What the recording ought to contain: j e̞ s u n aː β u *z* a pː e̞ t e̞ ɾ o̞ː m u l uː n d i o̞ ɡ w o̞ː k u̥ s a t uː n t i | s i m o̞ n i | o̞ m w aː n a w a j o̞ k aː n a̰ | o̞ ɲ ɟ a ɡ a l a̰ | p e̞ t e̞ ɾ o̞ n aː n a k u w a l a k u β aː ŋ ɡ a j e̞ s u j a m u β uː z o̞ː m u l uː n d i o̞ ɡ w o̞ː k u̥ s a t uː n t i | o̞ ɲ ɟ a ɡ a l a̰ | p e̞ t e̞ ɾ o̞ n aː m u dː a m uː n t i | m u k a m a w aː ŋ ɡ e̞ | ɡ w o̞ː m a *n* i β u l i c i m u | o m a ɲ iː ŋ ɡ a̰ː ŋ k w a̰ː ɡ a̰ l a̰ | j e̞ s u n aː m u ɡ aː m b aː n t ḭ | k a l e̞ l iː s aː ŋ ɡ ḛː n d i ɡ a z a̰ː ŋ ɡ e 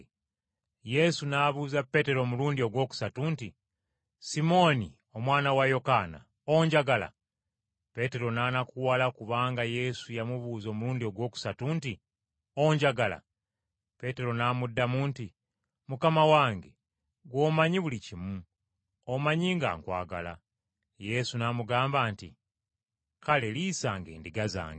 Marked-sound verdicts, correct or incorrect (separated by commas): correct, incorrect